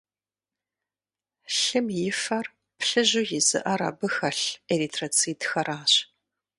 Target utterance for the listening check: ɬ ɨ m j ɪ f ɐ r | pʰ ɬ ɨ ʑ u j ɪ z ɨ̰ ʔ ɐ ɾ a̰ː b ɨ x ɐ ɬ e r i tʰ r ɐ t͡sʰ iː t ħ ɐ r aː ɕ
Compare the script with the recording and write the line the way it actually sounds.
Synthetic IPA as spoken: ɬ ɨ m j ɪ f ɐ r | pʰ ɬ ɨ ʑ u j ɪ z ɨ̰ ʔ ɐ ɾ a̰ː b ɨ x ɐ ɬ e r i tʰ r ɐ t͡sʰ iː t x ɐ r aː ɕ